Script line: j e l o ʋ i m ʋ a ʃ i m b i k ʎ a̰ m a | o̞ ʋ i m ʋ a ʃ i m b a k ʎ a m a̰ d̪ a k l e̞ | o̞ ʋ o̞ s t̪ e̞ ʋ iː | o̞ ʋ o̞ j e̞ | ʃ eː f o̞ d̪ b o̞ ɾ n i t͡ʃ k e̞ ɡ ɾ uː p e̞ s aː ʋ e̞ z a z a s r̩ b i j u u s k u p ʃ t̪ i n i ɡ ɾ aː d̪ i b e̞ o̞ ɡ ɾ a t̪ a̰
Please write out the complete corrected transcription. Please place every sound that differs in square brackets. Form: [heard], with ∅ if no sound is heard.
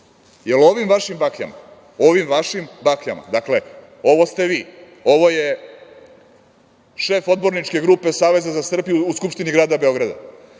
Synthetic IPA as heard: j e l o ʋ i m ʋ a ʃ i m b [a] k ʎ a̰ m a | o̞ ʋ i m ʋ a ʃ i m b a k ʎ a m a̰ d̪ a k l e̞ | o̞ ʋ o̞ s t̪ e̞ ʋ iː | o̞ ʋ o̞ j e̞ | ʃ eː f o̞ d̪ b o̞ ɾ n i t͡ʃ k e̞ ɡ ɾ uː p e̞ s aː ʋ e̞ z a z a s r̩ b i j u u s k u p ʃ t̪ i n i ɡ ɾ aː d̪ [a] b e̞ o̞ ɡ ɾ a [d̪] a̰